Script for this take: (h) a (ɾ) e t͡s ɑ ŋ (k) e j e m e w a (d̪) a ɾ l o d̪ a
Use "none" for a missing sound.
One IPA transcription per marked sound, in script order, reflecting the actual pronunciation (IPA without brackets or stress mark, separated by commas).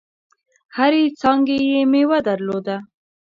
h, ɾ, ɡ, d̪